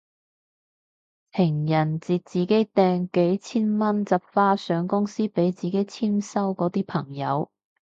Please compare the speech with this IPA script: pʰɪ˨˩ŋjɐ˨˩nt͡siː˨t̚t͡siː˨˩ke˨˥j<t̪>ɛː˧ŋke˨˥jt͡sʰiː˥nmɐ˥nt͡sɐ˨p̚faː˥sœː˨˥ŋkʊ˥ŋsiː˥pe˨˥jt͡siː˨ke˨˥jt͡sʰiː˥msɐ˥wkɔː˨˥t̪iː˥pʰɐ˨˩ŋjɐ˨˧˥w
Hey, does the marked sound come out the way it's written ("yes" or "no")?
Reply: yes